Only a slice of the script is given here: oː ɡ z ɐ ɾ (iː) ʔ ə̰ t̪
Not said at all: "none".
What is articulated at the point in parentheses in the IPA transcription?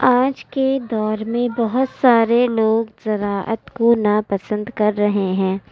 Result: aː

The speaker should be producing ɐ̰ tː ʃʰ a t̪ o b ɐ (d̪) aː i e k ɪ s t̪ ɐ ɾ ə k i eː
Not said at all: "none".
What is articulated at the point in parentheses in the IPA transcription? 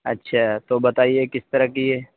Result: t̪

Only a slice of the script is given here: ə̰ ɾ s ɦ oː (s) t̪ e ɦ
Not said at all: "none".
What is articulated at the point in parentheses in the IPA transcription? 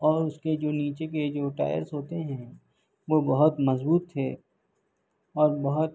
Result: none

